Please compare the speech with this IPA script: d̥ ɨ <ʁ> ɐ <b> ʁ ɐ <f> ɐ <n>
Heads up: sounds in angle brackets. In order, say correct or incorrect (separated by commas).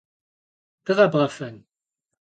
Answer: correct, correct, correct, correct